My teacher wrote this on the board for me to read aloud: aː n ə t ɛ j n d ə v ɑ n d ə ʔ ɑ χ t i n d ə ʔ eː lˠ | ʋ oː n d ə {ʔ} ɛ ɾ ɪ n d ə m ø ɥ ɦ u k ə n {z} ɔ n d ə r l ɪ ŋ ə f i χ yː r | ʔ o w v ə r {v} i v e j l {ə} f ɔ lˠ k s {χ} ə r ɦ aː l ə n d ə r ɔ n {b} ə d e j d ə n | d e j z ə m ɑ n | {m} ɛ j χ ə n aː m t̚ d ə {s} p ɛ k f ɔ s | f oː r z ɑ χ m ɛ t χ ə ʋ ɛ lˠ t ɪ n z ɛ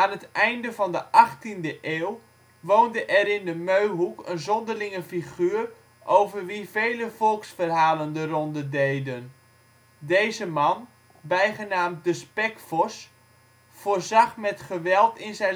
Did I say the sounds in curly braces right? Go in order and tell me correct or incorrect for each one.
correct, correct, incorrect: ʋ, correct, incorrect: f, incorrect: d, incorrect: b, correct

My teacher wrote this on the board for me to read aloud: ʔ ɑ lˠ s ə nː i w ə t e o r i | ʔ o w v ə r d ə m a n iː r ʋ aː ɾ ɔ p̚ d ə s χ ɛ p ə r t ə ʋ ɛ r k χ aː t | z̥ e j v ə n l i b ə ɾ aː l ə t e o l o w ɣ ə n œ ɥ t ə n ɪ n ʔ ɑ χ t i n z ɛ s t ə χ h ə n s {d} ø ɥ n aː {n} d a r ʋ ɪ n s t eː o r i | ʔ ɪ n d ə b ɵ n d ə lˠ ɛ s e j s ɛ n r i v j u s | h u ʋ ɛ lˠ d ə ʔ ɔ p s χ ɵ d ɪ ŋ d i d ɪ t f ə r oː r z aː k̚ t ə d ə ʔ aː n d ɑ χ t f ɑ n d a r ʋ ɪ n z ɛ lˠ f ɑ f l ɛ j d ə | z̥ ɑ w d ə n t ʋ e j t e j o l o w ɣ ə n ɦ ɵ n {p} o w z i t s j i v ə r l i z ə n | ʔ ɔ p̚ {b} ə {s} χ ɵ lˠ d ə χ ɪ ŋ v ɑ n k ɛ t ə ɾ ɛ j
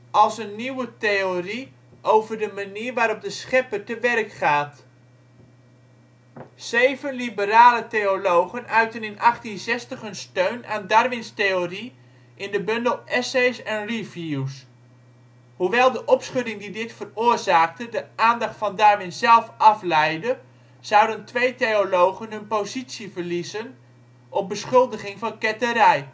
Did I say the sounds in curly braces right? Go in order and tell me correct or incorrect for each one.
incorrect: t, correct, correct, correct, correct

